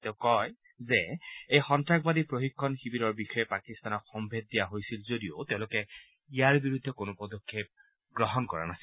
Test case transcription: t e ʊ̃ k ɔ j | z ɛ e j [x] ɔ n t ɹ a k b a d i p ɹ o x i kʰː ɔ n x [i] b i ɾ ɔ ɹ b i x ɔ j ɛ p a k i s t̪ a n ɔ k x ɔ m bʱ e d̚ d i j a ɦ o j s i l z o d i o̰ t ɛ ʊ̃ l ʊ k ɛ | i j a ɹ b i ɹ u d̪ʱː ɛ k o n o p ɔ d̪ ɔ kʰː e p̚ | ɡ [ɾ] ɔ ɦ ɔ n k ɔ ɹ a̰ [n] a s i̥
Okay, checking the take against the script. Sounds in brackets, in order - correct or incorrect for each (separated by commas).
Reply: correct, correct, incorrect, correct